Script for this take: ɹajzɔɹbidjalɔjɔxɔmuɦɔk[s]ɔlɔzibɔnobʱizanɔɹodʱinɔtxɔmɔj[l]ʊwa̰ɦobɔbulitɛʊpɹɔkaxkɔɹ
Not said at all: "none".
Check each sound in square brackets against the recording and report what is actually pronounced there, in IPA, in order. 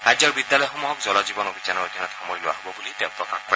z, l

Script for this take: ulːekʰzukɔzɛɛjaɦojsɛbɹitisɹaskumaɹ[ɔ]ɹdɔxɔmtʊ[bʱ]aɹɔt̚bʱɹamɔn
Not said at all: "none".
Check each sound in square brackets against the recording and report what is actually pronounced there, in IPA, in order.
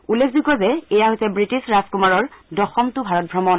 ɔ, bʱ

